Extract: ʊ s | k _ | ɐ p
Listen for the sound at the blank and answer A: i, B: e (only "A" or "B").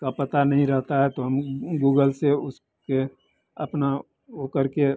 B